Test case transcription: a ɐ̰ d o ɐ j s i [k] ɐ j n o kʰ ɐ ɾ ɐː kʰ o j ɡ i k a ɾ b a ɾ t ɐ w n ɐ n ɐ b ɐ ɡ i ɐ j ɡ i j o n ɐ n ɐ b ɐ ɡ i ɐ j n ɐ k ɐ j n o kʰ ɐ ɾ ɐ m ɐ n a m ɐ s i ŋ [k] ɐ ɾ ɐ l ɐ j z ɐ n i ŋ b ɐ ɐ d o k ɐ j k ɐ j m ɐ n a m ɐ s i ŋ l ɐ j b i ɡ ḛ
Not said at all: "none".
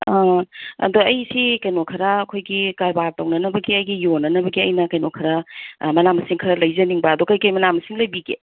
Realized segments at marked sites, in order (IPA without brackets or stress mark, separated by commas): k, kʰ